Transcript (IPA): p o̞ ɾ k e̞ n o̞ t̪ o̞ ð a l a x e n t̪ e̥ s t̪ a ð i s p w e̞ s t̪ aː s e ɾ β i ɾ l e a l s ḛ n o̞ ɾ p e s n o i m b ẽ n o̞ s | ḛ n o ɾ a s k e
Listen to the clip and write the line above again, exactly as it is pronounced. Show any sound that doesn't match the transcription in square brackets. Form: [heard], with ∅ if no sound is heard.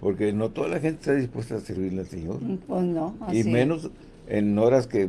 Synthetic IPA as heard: p o̞ ɾ k e̞ n o̞ t̪ o̞ ð a l a x e n t̪ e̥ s t̪ a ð i s p w e̞ s t̪ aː s e ɾ β i ɾ l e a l s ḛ [ɲ] o̞ ɾ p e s n o i m [m] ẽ n o̞ s | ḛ n o ɾ a s k e